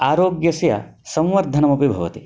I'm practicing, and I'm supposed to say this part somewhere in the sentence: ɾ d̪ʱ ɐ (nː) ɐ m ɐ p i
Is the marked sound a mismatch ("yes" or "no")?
yes